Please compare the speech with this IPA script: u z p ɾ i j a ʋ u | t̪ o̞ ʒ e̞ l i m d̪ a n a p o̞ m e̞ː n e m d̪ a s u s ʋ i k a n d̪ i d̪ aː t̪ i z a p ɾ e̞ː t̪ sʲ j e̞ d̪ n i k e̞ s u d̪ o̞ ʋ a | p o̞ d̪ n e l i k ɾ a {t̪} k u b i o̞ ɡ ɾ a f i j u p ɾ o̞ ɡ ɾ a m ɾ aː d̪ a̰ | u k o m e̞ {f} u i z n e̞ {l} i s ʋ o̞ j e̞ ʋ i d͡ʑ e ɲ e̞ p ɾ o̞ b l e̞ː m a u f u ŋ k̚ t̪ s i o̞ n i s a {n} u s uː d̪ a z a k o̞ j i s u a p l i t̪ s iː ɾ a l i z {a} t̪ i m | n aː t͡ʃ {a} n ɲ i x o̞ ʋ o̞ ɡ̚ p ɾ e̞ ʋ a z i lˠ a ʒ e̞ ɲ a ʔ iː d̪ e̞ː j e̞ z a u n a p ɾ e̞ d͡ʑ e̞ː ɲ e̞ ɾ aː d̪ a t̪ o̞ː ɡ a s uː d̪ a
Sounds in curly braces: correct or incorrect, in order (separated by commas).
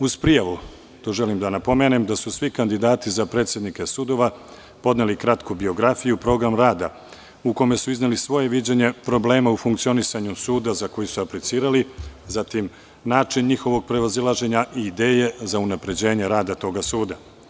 correct, incorrect, correct, incorrect, correct, incorrect